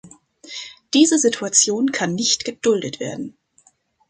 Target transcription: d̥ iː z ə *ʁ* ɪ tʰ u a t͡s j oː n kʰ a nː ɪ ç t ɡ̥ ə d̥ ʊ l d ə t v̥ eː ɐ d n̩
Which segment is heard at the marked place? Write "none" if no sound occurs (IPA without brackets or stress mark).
z